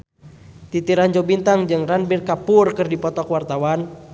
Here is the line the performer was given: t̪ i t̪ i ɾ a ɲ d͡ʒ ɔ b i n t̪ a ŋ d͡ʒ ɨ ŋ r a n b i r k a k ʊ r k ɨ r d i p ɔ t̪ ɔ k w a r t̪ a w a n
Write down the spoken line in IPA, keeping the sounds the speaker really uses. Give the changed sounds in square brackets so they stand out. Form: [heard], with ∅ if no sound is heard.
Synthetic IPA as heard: t̪ i t̪ i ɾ a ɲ d͡ʒ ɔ b i n t̪ a ŋ d͡ʒ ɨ ŋ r a n b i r k a [p] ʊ r k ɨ r d i p ɔ t̪ ɔ k w a r t̪ a w a n